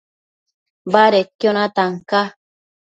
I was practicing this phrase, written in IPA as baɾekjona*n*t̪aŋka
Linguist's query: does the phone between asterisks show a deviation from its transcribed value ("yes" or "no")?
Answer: yes